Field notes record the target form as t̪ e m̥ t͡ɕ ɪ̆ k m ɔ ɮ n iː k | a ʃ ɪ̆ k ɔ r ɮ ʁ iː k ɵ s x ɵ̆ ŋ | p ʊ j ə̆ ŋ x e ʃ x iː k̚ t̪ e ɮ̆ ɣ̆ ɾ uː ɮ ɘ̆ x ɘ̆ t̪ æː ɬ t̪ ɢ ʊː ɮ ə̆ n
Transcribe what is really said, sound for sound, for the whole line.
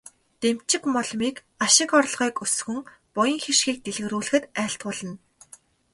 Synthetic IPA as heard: t̪ e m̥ t͡ɕ ɪ̆ k m ɔ ɮ m iː k | a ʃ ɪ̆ k ɔ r ɮ ʁ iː k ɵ s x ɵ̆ ŋ | p ʊ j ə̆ ŋ x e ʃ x iː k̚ t̪ e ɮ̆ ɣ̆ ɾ uː ɮ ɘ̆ x ɘ̆ t̪ æː ɬ t̪ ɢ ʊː ɮ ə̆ n